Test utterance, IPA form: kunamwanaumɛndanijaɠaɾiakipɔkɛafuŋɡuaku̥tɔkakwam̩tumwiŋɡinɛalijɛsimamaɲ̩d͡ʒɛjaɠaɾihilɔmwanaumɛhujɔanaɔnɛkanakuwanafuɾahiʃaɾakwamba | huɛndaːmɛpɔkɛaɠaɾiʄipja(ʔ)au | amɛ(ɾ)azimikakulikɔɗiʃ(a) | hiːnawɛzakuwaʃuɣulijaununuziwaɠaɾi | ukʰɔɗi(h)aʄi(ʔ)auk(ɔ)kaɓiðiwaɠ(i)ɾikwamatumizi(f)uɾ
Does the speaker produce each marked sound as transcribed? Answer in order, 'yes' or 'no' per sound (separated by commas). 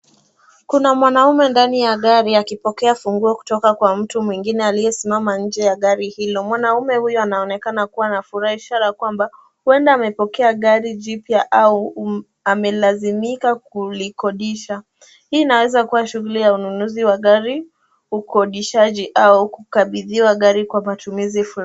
yes, no, yes, no, yes, no, no, yes